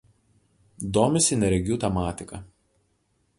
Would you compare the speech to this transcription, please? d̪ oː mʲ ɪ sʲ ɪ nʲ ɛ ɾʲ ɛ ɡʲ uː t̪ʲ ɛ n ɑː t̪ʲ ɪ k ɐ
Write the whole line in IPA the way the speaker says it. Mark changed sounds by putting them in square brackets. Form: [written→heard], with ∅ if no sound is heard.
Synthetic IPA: d̪ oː mʲ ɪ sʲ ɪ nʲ ɛ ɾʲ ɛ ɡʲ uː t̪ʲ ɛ [n→m] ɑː t̪ʲ ɪ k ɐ